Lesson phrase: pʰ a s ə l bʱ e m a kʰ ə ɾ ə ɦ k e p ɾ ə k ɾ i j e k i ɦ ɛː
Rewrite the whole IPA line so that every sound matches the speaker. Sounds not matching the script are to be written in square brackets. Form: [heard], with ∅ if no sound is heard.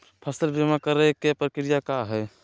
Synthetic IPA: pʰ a s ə l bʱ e m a [k] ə ɾ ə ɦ k e p ɾ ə k ɾ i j [a] k [a] ɦ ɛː